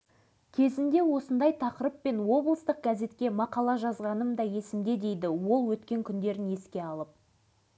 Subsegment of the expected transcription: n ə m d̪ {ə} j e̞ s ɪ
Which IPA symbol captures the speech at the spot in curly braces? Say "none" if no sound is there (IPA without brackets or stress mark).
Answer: ɑ